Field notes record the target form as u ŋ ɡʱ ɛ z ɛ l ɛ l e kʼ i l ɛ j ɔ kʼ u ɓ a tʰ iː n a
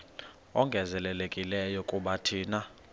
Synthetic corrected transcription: ɔ ŋ ɡʱ ɛ z ɛ l ɛ l e kʼ i l ɛ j ɔ kʼ u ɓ a tʰ iː n a